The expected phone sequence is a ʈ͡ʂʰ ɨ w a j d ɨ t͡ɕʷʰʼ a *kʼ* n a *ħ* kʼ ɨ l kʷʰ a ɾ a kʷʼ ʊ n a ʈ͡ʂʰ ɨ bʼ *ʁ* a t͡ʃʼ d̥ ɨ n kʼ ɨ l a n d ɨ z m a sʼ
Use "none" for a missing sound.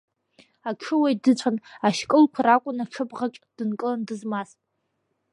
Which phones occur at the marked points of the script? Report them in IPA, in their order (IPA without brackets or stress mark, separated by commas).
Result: none, ʃ, ʁ